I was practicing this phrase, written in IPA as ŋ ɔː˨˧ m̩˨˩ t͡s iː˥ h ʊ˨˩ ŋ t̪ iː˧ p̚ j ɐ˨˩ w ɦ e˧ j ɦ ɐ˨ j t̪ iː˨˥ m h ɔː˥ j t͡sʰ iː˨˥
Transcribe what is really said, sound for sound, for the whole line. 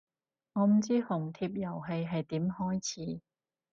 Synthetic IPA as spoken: ŋ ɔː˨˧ m̩˨˩ t͡s iː˥ h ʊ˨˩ ŋ t̪ʰ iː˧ p̚ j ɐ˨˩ w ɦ e˧ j ɦ ɐ˨ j t̪ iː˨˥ m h ɔː˥ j t͡sʰ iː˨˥